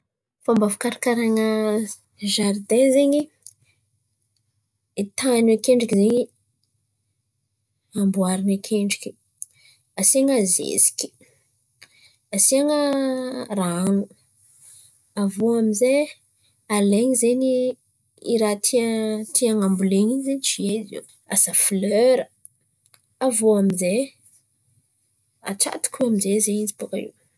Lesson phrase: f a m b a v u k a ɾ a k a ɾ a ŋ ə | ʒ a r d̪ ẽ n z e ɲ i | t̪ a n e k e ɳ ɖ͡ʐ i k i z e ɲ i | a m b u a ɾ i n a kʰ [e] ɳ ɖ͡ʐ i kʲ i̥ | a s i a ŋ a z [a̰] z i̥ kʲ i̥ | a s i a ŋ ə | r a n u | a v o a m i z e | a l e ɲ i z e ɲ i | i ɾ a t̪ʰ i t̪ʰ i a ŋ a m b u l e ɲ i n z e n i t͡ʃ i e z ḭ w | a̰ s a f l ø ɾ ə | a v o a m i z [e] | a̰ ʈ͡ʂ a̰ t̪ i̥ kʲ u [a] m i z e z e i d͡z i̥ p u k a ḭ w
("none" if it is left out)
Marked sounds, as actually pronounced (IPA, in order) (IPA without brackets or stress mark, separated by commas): e, ḛ, e, a